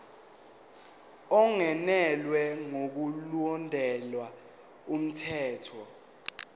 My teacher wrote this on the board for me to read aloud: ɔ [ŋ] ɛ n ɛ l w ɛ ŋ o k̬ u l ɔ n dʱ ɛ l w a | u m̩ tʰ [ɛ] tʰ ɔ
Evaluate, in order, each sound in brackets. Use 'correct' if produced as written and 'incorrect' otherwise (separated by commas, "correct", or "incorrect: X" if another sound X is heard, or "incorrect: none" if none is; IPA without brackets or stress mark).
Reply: correct, incorrect: ɛː